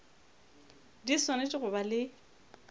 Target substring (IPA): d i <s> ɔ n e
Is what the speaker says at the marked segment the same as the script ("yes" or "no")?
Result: yes